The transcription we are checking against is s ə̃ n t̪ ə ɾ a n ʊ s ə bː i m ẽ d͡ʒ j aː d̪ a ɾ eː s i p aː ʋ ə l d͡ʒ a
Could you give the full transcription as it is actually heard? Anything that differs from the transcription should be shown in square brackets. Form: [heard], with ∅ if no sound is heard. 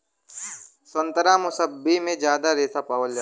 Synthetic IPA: s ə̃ n t̪ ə ɾ a [m] ʊ s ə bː i m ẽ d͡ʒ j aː d̪ a ɾ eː s [a] p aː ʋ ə l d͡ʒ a